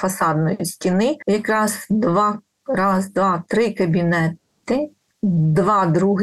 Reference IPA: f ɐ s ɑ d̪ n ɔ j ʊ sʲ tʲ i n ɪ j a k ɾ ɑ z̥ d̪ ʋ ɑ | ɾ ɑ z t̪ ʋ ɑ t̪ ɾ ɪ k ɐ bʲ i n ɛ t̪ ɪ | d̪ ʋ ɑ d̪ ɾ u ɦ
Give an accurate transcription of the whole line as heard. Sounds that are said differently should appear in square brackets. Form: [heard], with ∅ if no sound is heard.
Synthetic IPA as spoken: f ɐ s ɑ d̪ n ɔ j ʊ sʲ tʲ i n ɪ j [ɐ] k ɾ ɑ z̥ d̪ ʋ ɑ | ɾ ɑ z [d̪] ʋ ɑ t̪ ɾ ɪ k ɐ bʲ i n ɛ t̪ ɪ | d̪ ʋ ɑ d̪ ɾ u ɦ